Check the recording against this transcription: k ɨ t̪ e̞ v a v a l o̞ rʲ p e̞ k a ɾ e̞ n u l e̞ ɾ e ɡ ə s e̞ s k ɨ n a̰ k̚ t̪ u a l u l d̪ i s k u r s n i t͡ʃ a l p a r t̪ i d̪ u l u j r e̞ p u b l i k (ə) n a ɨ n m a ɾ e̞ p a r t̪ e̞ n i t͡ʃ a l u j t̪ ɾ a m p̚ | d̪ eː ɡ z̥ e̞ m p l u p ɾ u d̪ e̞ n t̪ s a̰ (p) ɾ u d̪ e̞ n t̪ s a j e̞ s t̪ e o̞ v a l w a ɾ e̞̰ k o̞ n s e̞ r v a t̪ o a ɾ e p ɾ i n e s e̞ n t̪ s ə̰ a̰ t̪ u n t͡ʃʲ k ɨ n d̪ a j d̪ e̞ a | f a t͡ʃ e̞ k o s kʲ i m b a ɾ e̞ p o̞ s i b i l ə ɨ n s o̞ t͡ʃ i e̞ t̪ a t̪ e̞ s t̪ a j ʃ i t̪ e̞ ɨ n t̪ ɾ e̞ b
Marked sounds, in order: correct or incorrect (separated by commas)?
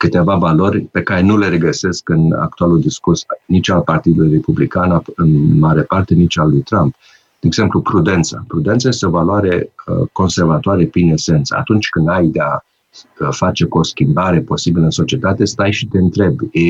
incorrect, correct